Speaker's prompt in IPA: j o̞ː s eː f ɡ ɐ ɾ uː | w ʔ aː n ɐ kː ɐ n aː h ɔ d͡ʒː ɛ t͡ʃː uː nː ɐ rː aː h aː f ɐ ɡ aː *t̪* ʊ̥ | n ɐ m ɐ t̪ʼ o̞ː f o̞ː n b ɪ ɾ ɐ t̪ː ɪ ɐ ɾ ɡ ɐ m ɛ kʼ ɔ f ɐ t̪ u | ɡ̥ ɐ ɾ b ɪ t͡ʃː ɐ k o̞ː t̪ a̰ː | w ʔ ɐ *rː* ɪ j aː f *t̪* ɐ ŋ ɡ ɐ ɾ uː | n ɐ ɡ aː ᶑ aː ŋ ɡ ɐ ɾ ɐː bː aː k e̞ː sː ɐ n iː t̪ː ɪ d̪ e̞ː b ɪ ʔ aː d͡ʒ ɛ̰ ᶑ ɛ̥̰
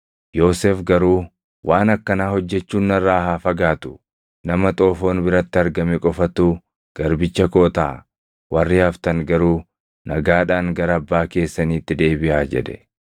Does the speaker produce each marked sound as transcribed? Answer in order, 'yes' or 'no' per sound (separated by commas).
yes, yes, yes